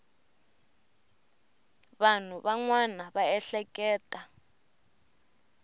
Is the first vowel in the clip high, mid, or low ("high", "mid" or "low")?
low